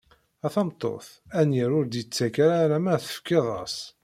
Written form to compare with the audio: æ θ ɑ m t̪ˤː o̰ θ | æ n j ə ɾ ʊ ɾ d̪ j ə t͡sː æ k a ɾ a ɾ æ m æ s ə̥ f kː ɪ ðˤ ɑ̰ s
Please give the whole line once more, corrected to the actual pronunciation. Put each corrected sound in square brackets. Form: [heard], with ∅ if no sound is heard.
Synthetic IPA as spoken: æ θ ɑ m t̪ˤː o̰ θ | æ n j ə ɾ ʊ ɾ d̪ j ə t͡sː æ k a ɾ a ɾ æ m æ [θ] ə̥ f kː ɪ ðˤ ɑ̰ s